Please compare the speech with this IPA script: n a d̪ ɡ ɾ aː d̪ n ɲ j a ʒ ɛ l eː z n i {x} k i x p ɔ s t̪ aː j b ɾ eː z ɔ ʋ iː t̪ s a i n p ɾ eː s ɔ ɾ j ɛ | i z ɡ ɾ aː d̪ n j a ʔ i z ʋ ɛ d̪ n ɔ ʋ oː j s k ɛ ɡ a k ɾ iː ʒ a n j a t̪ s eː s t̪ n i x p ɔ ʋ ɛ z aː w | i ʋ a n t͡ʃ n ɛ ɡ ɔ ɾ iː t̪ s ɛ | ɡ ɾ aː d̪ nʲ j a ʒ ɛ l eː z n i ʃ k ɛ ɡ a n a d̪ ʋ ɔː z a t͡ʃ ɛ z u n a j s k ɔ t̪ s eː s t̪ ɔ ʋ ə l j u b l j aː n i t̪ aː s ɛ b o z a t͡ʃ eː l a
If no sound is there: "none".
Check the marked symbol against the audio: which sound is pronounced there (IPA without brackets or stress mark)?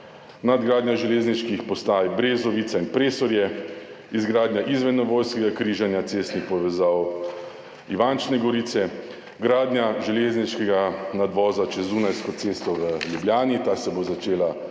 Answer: ʃ